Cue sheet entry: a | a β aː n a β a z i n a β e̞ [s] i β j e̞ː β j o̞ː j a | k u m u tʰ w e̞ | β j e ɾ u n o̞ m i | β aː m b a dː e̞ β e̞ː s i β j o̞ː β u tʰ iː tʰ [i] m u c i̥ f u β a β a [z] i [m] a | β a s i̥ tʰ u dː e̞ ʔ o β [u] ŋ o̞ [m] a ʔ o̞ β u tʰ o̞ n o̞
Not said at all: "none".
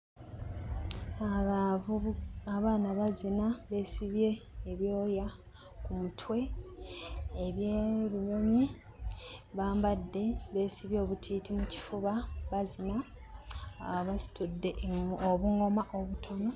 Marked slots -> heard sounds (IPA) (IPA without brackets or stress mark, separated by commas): s, i, z, n, u, m